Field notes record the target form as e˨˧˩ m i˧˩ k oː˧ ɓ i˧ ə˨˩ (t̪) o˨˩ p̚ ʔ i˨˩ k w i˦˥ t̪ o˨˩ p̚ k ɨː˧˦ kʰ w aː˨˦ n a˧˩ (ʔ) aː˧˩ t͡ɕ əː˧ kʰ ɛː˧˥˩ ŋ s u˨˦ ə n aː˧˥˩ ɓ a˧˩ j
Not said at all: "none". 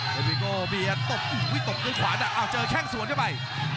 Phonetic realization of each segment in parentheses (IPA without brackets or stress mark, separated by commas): t̪, ʔ